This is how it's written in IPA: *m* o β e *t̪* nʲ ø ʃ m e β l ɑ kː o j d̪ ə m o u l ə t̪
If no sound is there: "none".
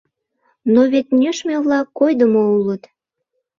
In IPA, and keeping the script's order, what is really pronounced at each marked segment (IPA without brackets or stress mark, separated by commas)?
n, t̪